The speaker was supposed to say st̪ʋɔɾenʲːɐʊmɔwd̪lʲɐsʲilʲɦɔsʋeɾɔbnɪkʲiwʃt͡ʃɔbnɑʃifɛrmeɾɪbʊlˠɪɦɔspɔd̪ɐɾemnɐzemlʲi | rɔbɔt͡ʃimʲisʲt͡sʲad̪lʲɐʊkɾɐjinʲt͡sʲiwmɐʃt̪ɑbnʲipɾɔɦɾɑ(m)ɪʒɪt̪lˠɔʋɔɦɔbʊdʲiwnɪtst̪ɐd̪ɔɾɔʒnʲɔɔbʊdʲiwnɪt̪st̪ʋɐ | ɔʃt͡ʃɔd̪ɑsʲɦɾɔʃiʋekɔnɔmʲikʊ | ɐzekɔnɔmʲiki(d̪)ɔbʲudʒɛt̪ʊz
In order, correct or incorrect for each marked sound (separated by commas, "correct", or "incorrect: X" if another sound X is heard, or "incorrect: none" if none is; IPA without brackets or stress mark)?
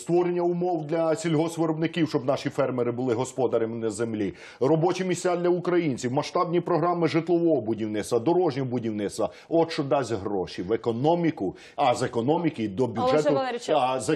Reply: correct, correct